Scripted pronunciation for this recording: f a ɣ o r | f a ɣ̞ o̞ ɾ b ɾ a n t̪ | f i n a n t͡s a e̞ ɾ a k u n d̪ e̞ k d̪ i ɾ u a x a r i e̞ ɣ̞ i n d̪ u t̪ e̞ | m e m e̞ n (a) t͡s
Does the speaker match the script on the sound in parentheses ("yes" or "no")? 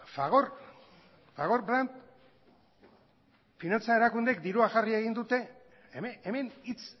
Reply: no